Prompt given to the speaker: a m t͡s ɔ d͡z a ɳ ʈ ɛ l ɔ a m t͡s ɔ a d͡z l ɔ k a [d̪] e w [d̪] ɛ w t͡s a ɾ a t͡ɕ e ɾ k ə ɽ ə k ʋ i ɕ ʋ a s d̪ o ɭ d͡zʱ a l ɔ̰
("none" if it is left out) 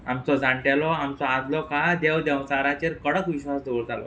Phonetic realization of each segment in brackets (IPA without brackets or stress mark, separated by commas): d̪, d̪